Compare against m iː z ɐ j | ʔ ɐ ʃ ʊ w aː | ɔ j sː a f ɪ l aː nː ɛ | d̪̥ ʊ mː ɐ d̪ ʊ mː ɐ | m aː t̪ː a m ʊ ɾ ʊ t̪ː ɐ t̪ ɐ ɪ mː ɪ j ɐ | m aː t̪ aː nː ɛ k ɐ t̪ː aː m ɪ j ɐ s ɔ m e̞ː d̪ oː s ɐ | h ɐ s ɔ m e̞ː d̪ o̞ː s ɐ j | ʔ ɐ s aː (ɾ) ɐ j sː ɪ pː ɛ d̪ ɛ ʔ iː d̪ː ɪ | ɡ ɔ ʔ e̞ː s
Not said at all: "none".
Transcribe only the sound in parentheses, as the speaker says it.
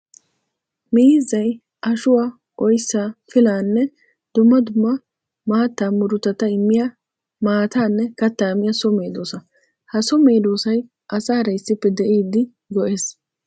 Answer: ɾ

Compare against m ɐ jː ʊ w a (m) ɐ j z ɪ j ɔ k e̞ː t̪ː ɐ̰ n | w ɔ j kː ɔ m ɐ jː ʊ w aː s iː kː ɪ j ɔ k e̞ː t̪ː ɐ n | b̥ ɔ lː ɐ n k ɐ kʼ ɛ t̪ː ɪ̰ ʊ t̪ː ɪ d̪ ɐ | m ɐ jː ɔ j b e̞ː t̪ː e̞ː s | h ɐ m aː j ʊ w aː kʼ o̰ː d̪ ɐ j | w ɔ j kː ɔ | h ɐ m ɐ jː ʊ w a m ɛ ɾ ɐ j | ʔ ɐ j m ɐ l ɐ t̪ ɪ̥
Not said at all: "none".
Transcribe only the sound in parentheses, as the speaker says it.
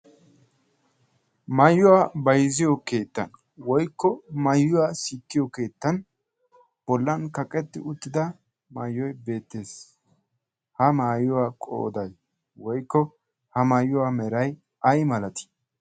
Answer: b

